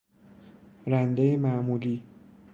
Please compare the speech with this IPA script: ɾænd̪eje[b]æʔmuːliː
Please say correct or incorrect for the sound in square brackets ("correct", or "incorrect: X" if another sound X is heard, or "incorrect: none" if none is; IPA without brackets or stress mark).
incorrect: m